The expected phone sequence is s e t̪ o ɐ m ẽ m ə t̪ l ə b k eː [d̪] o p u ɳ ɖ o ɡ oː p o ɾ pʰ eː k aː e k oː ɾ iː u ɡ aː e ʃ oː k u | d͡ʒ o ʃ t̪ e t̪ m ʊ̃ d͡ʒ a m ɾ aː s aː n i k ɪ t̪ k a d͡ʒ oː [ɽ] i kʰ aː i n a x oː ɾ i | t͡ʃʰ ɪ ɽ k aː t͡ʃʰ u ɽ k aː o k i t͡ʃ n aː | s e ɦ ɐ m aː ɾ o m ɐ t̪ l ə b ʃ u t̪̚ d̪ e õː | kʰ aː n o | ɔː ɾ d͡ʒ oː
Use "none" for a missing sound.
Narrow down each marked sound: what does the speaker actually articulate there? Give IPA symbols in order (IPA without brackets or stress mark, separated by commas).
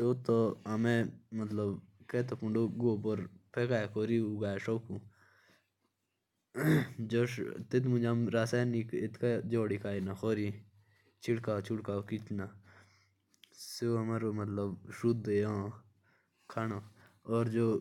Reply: t̪, ɽ